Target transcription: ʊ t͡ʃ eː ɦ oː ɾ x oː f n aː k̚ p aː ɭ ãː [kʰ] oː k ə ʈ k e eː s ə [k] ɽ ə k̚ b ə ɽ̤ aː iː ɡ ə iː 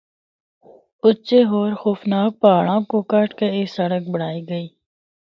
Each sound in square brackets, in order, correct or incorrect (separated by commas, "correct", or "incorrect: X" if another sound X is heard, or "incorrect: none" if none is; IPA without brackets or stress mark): incorrect: k, incorrect: none